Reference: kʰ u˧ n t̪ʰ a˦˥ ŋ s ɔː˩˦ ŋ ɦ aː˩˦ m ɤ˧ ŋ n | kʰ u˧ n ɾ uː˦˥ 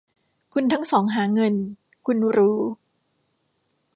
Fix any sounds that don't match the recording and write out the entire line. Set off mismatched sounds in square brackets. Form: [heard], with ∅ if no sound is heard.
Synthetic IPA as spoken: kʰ u˧ n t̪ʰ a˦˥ ŋ s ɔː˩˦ ŋ ɦ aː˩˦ [ŋ] ɤ˧ [∅] n | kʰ u˧ n ɾ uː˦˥